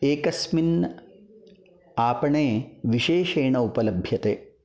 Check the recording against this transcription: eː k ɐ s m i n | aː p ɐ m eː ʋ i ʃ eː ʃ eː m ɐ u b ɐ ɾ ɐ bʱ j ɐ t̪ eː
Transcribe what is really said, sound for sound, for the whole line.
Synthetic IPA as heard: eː k ɐ s m i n | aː p ɐ ɳ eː ʋ i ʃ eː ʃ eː ɳ ɐ u p ɐ l ɐ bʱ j ɐ t̪ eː